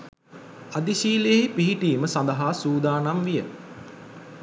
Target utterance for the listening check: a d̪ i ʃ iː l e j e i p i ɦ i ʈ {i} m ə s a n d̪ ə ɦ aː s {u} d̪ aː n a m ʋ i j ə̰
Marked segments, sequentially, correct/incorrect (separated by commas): incorrect, incorrect